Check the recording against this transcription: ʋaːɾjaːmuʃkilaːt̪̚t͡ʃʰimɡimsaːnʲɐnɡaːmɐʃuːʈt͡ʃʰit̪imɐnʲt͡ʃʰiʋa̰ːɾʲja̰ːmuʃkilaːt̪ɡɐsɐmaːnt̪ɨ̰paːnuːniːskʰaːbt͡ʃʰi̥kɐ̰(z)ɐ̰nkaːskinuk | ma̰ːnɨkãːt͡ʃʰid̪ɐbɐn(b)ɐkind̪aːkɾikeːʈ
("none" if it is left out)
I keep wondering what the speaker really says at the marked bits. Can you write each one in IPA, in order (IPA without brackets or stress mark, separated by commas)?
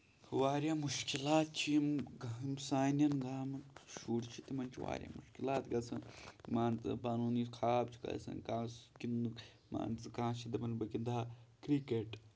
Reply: s, b